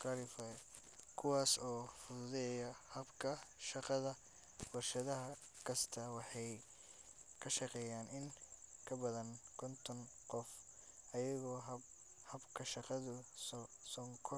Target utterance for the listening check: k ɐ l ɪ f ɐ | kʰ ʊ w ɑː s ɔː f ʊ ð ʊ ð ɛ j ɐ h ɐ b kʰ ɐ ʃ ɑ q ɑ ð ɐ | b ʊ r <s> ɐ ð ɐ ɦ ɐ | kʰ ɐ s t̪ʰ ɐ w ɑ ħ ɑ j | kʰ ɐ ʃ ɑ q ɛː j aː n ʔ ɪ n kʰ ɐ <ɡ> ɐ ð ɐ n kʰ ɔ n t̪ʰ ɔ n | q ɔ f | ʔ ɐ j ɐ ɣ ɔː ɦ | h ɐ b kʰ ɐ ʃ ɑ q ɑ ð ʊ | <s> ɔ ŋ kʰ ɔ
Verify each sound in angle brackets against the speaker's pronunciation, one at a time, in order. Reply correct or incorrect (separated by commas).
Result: incorrect, incorrect, correct